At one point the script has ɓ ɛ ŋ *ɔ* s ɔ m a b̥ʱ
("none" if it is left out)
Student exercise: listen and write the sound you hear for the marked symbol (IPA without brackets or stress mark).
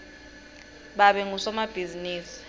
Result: u